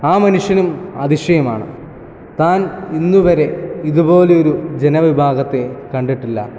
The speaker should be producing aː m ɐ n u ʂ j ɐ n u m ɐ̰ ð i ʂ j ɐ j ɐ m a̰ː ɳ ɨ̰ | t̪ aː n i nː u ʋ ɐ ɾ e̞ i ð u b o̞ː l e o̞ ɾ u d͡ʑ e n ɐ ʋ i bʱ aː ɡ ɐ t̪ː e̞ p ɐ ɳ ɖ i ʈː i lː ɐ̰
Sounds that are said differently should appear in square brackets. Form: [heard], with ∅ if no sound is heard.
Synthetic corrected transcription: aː m ɐ n u ʂ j ɐ n u m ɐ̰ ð i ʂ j ɐ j ɐ m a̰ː ɳ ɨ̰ | t̪ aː n i nː u ʋ ɐ ɾ e̞ i ð u b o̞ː l e o̞ ɾ u d͡ʑ e n ɐ ʋ i bʱ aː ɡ ɐ t̪ː e̞ [k] ɐ ɳ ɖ i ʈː i lː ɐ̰